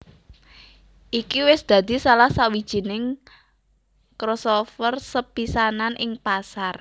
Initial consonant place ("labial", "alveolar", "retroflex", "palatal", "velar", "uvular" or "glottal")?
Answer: glottal